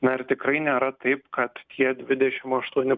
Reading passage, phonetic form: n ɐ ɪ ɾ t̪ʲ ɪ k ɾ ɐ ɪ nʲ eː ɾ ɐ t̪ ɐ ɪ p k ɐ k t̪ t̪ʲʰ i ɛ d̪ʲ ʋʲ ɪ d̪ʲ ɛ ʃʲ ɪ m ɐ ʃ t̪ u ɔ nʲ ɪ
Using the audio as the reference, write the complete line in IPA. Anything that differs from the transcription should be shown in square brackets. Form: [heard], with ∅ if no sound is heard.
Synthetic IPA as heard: n ɐ ɪ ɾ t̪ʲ ɪ k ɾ ɐ ɪ nʲ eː ɾ ɐ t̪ ɐ ɪ p k ɐ [∅] t̪ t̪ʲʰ i ɛ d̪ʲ ʋʲ ɪ d̪ʲ ɛ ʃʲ ɪ m ɐ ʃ t̪ u ɔ nʲ ɪ